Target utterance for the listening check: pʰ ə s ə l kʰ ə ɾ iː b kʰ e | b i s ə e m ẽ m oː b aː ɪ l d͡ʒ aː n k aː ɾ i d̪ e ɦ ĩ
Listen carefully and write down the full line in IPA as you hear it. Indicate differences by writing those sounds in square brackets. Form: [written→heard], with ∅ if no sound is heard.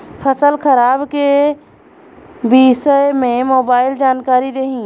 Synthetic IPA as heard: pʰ ə s ə l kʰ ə ɾ [iː→aː] b [kʰ→k] e | b i s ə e m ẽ m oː b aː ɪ l d͡ʒ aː n k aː ɾ i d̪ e ɦ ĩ